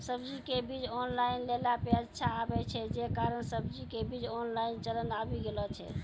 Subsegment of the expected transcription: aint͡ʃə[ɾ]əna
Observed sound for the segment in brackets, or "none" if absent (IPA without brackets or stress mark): l